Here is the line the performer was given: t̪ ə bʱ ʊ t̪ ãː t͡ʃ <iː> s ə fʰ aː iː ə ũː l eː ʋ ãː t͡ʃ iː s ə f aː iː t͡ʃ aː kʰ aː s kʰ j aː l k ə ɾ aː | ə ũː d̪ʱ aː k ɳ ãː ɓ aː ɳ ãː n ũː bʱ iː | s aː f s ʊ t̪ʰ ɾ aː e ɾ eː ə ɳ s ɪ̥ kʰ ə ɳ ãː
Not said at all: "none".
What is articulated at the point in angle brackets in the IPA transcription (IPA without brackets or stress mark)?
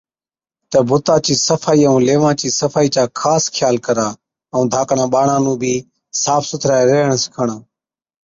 iː